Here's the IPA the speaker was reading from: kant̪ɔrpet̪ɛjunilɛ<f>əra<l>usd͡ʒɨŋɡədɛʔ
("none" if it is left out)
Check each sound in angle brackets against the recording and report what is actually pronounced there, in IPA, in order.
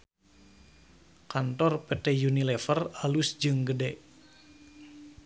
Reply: f, l

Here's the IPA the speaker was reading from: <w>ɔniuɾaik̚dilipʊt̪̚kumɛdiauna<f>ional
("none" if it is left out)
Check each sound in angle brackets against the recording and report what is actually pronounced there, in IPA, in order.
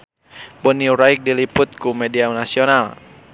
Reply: b, s

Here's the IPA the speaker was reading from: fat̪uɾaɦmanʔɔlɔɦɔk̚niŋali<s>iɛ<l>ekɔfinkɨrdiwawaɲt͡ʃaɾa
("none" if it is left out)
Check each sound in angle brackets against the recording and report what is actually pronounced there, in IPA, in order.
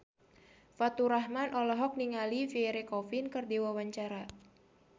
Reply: f, ɾ

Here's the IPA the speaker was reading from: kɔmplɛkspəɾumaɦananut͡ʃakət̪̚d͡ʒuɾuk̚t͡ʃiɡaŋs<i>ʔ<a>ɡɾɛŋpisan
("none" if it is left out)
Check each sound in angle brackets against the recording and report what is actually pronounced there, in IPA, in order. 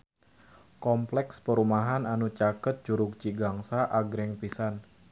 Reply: a, a

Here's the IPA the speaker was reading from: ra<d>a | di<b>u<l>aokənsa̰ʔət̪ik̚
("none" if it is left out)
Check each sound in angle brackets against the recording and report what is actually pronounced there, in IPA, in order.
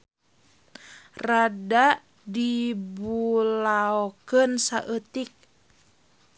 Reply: d, b, l

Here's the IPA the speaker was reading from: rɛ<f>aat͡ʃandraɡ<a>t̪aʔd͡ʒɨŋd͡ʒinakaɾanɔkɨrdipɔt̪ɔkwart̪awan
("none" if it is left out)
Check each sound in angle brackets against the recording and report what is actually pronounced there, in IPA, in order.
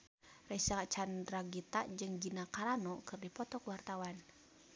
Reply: s, i

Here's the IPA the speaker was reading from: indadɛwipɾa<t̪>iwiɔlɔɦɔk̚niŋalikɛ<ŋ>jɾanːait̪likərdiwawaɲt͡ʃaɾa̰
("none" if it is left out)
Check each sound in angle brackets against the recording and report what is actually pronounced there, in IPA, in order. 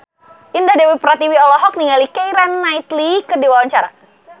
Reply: t̪, none

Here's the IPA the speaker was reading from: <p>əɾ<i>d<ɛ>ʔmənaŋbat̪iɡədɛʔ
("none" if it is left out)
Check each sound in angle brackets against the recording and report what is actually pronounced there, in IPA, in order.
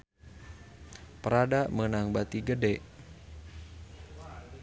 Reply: p, a, a

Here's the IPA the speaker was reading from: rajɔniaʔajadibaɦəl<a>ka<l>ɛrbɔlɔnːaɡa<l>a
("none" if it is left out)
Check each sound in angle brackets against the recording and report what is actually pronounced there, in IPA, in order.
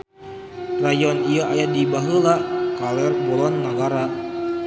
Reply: a, l, ɾ

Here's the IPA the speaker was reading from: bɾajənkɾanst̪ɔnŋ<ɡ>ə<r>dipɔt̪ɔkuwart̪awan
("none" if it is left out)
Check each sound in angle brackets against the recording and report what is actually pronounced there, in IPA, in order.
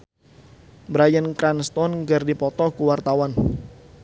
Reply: ɡ, r

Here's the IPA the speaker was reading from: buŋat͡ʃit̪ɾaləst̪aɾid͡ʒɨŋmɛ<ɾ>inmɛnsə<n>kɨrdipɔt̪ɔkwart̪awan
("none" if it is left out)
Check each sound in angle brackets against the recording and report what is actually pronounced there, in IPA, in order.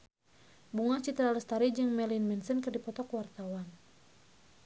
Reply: l, n

